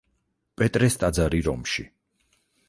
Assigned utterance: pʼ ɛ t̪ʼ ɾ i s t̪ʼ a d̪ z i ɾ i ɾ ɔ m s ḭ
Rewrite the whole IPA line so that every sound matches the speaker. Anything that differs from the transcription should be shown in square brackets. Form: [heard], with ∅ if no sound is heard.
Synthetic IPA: pʼ ɛ t̪ʼ ɾ [ɛ] s t̪ʼ a d̪ z [a] ɾ i ɾ ɔ m [ʃ] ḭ